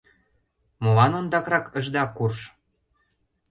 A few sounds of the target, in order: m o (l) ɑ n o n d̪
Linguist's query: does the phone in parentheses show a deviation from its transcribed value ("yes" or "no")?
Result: no